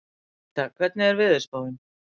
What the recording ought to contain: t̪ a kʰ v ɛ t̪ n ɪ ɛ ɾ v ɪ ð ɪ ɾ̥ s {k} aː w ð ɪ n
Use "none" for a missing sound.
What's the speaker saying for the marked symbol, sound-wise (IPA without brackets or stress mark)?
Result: p